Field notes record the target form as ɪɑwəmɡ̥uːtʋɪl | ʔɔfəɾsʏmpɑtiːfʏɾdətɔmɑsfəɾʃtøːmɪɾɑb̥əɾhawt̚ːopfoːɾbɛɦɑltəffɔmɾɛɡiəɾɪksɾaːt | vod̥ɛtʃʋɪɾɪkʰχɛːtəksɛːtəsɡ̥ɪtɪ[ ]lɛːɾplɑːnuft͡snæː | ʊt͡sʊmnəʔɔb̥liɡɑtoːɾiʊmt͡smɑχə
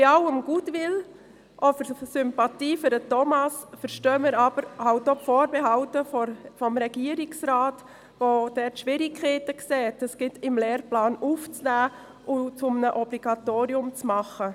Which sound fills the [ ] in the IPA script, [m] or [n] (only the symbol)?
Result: m